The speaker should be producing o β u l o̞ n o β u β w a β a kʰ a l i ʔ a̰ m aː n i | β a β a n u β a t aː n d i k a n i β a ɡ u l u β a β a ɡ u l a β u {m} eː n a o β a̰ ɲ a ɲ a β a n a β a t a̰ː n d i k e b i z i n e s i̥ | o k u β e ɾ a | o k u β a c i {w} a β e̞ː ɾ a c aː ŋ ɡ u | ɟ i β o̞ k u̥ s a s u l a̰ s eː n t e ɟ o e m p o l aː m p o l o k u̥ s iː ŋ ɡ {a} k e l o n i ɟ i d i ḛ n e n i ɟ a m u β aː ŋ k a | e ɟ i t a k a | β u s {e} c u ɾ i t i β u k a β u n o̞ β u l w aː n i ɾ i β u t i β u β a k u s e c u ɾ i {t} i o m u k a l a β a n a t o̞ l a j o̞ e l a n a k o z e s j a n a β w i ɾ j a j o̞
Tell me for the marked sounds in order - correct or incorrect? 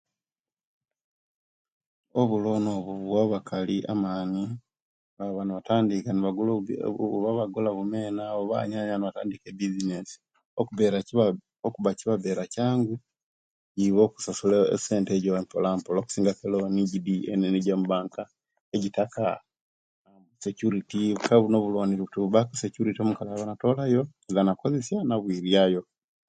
correct, incorrect, correct, correct, correct

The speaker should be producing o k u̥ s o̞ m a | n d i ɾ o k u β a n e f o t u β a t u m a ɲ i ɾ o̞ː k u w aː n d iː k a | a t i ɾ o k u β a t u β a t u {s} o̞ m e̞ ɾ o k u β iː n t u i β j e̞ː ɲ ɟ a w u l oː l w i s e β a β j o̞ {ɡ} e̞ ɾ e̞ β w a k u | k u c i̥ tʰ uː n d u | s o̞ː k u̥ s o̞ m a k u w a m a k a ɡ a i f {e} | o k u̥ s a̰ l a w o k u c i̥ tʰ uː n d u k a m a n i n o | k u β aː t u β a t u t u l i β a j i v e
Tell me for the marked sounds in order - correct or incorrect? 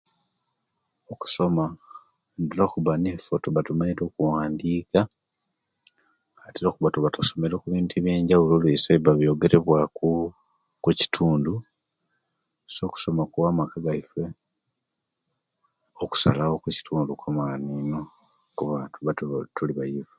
correct, correct, correct

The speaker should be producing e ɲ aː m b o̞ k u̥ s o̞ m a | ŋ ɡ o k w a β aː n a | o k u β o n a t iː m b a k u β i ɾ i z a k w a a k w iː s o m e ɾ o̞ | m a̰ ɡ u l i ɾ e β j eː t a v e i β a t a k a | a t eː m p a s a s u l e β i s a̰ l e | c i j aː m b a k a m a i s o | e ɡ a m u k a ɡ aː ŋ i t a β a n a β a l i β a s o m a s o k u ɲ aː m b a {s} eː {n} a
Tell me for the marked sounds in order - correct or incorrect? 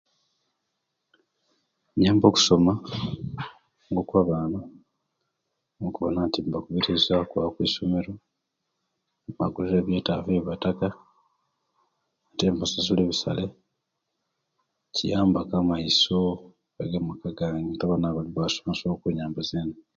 incorrect, correct

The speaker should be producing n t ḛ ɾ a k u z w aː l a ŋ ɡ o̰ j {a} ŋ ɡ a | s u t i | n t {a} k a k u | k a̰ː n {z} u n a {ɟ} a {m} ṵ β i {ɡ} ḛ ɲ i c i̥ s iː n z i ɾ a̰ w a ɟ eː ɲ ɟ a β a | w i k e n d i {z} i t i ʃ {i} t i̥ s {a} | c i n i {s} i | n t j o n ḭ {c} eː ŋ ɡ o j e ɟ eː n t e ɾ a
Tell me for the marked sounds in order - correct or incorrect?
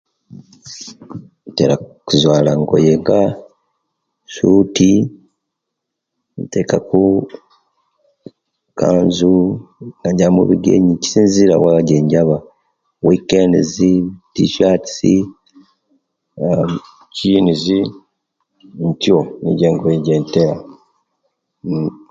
incorrect, incorrect, correct, correct, correct, correct, correct, incorrect, incorrect, incorrect, incorrect

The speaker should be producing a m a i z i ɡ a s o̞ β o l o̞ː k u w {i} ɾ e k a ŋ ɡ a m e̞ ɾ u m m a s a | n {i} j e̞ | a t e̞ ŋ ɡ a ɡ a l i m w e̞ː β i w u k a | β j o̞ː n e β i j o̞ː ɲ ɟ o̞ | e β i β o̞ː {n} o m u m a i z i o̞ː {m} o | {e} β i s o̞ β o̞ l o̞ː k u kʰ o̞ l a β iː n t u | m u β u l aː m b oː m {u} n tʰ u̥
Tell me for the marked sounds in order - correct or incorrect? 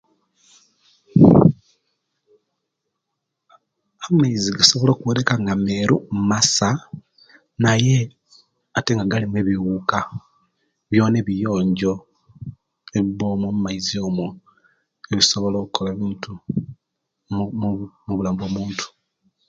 incorrect, incorrect, incorrect, correct, correct, incorrect

